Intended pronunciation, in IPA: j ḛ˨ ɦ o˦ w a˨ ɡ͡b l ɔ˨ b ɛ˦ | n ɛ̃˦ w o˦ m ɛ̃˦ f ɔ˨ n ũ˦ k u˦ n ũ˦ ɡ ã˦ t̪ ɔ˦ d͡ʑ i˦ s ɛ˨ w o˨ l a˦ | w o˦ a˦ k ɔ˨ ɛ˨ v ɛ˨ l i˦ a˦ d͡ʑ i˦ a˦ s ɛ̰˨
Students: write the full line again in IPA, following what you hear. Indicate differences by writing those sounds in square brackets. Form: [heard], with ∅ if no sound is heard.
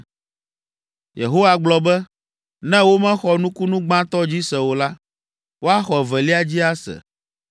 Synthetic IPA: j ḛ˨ ɦ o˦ w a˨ ɡ͡b l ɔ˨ b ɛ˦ | n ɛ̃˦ w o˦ m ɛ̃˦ [x] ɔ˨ n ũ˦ k u˦ n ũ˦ [ɡ͡b] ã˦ t̪ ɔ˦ d͡ʑ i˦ s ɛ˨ w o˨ l a˦ | w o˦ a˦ [x] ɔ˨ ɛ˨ v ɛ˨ l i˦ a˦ d͡ʑ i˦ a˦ s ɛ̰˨

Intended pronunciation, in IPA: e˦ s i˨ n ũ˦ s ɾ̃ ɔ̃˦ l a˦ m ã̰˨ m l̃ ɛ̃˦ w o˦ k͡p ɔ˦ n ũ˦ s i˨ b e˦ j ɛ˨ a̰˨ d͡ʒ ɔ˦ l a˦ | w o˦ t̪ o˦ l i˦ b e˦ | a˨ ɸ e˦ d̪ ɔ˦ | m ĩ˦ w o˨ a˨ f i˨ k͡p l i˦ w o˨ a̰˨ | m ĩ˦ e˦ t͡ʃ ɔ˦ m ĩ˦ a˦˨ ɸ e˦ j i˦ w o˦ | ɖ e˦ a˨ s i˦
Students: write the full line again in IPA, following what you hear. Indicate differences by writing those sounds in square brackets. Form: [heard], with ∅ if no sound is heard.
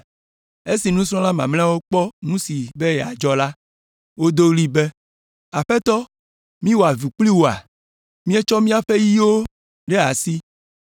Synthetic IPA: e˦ s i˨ n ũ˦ s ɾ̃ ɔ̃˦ l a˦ m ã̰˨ m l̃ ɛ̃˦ w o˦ k͡p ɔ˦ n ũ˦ s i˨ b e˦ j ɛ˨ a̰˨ d͡ʒ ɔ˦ l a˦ | w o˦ [d̪] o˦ l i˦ b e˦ | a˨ ɸ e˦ [t̪] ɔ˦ | m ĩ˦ w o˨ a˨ [v] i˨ k͡p l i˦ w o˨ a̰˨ | m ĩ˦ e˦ t͡ʃ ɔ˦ m ĩ˦ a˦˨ ɸ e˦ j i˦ w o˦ | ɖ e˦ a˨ s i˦

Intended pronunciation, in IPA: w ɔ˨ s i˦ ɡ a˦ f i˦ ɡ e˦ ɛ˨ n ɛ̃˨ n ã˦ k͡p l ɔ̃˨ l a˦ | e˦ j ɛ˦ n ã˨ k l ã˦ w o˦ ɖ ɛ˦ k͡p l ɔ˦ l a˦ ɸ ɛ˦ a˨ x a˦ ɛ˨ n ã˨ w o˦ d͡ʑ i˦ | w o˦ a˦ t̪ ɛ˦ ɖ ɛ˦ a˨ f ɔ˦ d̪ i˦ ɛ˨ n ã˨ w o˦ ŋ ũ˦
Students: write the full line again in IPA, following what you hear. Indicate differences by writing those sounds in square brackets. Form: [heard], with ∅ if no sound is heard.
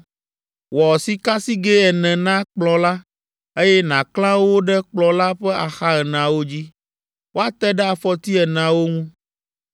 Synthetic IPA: w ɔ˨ s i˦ [k] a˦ [s] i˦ ɡ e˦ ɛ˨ n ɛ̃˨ n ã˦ k͡p l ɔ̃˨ l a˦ | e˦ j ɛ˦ n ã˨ k l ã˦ w o˦ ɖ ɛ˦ k͡p l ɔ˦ l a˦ ɸ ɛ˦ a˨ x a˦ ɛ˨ n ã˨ w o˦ d͡ʑ i˦ | w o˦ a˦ t̪ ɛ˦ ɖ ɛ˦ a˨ f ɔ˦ [t̪] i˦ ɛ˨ n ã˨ w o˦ ŋ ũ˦

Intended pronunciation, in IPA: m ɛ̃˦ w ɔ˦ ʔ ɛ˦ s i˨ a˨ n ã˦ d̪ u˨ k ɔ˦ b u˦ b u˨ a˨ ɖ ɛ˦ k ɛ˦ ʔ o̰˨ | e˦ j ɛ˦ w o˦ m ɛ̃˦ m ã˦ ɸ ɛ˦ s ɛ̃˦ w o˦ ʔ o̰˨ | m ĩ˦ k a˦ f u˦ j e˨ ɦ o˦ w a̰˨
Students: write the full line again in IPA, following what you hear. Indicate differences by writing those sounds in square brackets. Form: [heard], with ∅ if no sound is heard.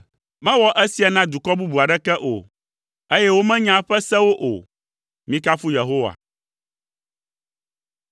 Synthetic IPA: m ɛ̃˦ w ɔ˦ ʔ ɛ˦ s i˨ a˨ n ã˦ d̪ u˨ k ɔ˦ b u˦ b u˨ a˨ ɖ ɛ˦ k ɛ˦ ʔ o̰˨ | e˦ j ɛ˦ w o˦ m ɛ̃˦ [ɲ] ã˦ ɸ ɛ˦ s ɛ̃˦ w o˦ ʔ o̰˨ | m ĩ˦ k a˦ f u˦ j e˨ ɦ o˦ w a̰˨

